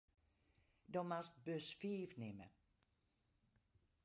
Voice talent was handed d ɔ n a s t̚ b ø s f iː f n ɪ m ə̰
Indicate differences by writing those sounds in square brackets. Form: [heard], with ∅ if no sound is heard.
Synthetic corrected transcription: d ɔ [m] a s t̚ b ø s f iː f n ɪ m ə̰